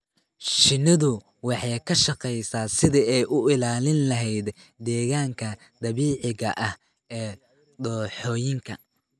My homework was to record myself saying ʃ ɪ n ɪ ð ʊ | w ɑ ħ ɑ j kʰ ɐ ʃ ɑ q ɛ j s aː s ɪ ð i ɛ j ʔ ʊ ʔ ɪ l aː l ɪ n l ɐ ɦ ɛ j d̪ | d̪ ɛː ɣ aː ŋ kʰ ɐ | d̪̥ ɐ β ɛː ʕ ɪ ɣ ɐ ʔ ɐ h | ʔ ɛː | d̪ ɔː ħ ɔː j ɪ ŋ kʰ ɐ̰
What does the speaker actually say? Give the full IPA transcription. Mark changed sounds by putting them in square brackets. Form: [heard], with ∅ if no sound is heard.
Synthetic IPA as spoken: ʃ ɪ n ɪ ð ʊ | w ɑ ħ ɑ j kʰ ɐ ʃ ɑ q ɛ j s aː s ɪ ð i ɛ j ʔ ʊ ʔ ɪ l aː l ɪ n l ɐ ɦ ɛ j d̪ | d̪ ɛː ɣ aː ŋ kʰ ɐ | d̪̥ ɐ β [iː] ʕ ɪ ɣ ɐ ʔ ɐ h | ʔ ɛː | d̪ ɔː ħ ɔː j ɪ ŋ kʰ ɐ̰